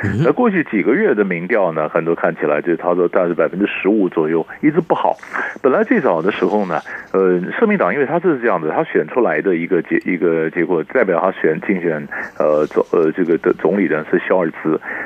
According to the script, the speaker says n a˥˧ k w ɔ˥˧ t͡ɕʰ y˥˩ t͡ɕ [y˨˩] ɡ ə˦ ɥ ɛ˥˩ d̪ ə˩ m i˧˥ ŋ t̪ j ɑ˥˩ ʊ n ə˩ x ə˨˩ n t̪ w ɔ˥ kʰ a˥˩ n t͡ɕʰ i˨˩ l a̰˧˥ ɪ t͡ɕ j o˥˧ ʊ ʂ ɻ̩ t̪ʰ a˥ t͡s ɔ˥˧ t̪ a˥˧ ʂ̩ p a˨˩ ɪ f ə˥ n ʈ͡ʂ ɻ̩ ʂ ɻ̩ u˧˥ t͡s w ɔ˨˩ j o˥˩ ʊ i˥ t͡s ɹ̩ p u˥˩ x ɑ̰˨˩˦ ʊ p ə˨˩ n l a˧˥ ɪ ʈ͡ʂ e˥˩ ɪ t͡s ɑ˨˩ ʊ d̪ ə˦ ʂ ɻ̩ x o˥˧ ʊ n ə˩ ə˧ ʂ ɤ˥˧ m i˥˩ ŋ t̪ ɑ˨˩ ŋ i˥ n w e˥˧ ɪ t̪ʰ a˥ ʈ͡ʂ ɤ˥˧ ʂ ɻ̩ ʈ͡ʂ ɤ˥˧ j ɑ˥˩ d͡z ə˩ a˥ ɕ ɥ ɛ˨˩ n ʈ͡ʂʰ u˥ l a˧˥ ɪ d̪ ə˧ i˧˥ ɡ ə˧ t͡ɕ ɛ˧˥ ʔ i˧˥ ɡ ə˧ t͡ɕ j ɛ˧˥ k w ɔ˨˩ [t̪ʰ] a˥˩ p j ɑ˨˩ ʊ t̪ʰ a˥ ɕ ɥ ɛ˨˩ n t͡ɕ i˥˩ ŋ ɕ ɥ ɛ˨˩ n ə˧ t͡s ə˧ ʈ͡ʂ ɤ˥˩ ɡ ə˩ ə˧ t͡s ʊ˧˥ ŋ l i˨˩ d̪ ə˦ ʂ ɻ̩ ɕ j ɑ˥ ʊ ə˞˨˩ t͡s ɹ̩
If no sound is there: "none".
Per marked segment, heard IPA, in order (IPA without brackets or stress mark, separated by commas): i˨˩, t̪